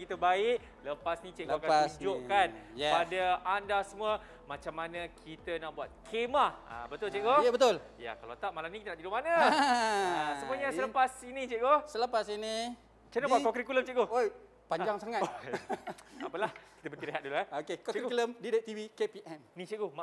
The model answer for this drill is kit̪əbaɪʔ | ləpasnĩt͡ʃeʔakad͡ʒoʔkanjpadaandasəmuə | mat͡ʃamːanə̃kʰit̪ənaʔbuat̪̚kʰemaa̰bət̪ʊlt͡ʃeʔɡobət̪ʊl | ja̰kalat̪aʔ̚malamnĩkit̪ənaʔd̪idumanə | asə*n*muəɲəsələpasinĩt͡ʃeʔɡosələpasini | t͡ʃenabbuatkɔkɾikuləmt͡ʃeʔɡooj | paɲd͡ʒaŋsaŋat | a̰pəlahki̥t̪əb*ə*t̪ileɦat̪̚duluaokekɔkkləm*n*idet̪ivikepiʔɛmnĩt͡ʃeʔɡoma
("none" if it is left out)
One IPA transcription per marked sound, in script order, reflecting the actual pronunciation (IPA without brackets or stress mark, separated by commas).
m, ə, d